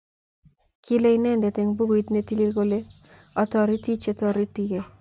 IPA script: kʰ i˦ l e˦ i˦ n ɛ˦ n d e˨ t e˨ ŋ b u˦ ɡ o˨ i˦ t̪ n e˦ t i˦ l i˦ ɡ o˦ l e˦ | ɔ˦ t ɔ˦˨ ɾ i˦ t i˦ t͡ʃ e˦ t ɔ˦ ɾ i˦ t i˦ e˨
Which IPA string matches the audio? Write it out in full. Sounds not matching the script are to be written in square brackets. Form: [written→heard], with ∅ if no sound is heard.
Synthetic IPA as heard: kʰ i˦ l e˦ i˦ n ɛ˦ n d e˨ t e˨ ŋ b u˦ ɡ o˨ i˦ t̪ n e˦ t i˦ l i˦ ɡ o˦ l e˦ | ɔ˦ t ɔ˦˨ ɾ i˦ t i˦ t͡ʃ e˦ t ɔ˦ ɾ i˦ t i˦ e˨